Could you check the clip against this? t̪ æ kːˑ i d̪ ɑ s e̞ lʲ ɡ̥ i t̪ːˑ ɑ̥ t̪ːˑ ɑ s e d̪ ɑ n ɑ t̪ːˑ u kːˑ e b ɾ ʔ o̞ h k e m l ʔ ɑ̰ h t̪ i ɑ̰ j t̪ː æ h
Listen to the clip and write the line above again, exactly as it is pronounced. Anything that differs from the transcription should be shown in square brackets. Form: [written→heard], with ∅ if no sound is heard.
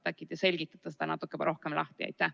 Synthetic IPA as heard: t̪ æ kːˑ i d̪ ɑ s e̞ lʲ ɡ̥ i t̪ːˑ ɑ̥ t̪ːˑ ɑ s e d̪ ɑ n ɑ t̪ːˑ u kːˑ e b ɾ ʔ o̞ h k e m l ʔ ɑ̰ h t̪ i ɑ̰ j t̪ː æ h

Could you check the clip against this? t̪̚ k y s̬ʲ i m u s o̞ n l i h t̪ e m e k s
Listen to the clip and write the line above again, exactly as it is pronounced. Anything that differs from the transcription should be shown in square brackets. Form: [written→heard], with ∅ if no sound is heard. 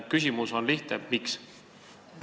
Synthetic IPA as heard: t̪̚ k y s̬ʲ i m u s o̞ n l i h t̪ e m [e→i] k s

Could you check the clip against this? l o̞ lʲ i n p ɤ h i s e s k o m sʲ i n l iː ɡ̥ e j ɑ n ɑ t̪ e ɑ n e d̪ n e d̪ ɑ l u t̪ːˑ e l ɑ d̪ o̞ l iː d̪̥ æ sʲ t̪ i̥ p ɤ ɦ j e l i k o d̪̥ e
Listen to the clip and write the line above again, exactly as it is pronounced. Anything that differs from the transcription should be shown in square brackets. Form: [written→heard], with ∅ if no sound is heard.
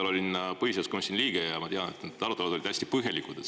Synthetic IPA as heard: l o̞ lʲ i n p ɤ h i s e s k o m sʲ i n l iː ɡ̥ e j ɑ [n→m] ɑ t̪ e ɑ n e [d̪→t̪] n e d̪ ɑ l u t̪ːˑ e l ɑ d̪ o̞ l [iː→i] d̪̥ æ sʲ t̪ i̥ p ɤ ɦ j e l i k [o→u] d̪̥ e

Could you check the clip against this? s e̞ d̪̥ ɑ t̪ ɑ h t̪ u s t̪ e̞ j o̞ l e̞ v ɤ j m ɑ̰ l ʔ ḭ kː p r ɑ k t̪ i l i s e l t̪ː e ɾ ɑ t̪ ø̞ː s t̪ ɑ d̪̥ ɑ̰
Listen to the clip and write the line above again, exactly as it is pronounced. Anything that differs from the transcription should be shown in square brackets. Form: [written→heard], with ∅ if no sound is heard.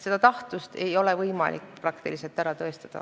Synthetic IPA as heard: s e̞ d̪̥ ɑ t̪ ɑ h t̪ u s t̪ e̞ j o̞ l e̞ v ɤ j m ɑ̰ l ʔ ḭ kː p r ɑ k t̪ i l i s e l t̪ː [e→æ] ɾ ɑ t̪ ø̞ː s t̪ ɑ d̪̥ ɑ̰

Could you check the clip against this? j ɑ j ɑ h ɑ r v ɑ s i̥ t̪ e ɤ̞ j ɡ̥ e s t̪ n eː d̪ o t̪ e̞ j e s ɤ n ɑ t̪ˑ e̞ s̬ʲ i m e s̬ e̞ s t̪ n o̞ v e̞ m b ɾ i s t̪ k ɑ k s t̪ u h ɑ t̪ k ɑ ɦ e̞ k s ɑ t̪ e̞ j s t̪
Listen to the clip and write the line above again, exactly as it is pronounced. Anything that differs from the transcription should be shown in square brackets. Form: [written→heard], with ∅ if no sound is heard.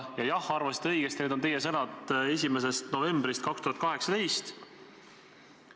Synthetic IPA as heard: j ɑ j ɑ h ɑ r v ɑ s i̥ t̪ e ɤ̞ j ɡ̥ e s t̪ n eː d̪ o t̪ e̞ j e s ɤ n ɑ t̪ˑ e̞ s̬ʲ i m e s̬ e̞ s t̪ n o̞ v e̞ m b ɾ i s t̪ k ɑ k s t̪ u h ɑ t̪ k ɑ ɦ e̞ k s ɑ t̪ e̞ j s t̪

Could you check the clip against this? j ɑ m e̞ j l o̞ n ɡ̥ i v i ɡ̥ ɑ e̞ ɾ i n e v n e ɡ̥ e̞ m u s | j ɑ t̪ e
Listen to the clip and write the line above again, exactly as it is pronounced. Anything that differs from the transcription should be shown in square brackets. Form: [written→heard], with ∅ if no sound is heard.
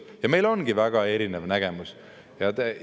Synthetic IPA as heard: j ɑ m e̞ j l o̞ n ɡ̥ i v [i→æ] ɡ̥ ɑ e̞ ɾ i n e v n [e→æ] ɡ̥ e̞ m u s | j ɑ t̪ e

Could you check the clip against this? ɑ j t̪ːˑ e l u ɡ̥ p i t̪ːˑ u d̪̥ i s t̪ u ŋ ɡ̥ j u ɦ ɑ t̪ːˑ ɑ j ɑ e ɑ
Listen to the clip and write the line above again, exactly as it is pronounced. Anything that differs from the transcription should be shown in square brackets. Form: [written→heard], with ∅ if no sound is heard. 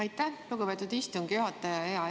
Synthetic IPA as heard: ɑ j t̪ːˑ [e→æ] l u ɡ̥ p [i→e] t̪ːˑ u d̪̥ i s t̪ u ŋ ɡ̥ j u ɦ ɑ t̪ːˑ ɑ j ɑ e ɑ

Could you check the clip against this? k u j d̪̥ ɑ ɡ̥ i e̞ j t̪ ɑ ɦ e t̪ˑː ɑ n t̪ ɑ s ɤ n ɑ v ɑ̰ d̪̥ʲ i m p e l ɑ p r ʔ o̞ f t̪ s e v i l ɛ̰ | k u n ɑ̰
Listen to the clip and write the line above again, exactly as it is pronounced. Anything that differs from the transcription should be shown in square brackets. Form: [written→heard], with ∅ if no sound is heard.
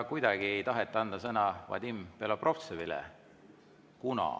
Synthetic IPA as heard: k u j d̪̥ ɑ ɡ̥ i e̞ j t̪ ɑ ɦ e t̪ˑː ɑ n [t̪→d̪] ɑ s ɤ n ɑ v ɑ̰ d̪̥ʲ i m p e l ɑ p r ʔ o̞ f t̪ s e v i l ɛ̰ | k u n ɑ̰

